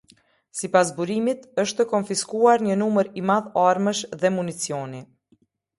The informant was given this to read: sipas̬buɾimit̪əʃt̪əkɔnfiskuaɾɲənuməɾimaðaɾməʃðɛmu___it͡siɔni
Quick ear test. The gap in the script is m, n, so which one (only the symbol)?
n